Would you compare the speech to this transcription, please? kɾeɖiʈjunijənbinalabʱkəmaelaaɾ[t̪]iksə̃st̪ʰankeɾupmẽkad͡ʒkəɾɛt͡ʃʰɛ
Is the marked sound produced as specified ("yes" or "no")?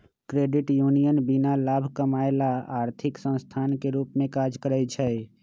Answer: no